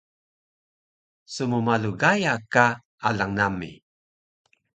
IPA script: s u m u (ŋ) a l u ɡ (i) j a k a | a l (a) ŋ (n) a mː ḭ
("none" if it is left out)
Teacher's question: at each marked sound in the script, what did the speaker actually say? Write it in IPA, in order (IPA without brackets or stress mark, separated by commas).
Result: m, a, a, n